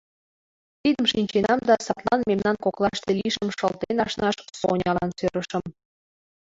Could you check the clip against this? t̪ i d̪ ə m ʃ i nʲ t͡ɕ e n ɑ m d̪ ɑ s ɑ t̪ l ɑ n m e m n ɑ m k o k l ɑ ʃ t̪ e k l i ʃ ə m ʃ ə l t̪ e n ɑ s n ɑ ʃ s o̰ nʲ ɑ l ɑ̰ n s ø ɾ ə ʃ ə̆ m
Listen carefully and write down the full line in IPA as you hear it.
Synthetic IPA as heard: t̪ i d̪ ə m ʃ i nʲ t͡ɕ e n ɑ m d̪ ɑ s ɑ t̪ l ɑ n m e m n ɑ n k o k l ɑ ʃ t̪ e l i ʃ ə m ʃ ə l t̪ e n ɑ ʃ n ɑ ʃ s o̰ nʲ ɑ l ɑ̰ n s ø ɾ ə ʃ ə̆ m